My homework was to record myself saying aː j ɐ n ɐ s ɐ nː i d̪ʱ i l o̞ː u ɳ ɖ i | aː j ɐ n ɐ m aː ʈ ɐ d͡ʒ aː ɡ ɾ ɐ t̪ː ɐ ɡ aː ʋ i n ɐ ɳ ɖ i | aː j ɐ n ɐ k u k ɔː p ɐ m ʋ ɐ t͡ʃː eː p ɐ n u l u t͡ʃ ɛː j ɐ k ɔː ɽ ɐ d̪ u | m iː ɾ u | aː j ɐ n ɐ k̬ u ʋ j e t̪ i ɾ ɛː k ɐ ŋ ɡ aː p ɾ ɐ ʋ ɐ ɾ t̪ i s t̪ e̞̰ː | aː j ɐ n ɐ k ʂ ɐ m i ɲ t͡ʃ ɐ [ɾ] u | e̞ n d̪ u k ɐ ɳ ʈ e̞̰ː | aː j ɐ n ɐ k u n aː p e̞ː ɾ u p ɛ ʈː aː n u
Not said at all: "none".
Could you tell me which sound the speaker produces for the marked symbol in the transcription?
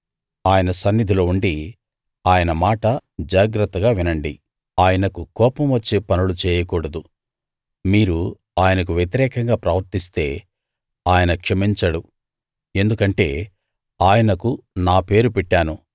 ɽ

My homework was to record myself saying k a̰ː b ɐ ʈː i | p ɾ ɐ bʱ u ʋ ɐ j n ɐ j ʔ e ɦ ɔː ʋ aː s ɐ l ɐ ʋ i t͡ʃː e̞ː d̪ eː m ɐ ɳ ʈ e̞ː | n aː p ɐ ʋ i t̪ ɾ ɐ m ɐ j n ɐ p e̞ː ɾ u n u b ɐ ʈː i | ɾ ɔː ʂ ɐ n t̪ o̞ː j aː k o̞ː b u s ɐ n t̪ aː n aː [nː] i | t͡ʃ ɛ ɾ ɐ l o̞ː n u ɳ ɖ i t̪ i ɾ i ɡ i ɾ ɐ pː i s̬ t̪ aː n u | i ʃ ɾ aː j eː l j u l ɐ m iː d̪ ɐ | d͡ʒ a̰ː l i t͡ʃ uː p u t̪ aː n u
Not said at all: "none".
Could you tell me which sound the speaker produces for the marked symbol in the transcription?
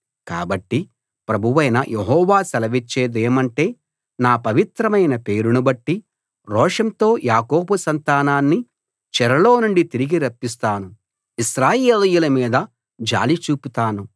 nː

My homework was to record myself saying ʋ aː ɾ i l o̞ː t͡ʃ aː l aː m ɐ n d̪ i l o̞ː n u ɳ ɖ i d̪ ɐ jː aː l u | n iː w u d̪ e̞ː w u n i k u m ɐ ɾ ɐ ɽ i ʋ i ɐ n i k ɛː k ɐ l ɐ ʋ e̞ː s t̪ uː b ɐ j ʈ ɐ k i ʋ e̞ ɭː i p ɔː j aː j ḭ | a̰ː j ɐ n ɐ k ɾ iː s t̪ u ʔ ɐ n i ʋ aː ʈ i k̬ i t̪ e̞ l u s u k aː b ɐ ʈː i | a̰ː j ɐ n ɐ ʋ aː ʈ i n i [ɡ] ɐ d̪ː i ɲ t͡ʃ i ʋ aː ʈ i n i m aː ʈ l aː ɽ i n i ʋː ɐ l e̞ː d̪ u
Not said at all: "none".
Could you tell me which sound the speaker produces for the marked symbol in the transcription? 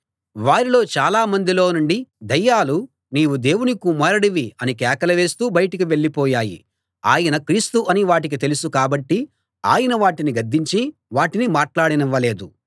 ɡ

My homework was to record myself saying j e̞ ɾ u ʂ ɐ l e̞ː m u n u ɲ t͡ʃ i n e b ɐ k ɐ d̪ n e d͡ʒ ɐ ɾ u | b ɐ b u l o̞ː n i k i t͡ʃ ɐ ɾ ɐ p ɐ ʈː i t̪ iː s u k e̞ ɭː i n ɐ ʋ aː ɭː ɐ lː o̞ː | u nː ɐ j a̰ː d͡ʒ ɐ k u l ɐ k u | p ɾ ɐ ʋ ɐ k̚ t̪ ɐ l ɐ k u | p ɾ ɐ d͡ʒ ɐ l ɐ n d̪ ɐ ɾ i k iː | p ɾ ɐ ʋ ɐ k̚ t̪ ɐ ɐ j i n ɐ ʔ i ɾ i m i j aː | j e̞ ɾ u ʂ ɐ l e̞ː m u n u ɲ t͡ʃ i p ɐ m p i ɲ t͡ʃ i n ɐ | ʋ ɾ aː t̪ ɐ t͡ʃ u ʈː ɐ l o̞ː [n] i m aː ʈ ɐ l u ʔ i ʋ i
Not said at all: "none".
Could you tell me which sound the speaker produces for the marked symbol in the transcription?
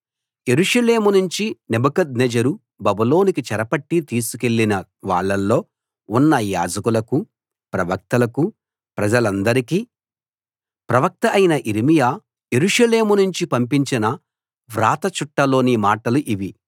n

